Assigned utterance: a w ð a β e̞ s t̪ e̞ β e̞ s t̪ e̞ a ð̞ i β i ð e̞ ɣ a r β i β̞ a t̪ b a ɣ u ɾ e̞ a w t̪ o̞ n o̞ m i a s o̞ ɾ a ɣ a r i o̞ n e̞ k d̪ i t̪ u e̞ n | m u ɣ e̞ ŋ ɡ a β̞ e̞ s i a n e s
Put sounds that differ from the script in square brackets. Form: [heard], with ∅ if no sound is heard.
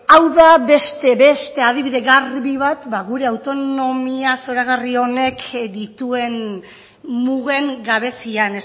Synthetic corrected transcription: a w ð a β e̞ s t̪ e̞ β e̞ s t̪ e̞ a ð̞ i β i ð e̞ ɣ a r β i β̞ a t̪ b a ɣ u ɾ e̞ a w t̪ o̞ n o̞ m i a s o̞ ɾ a ɣ a r i o̞ n e̞ k d̪ i t̪ u e̞ n | m u ɣ e̞ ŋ ɡ a β̞ e̞ s i a n e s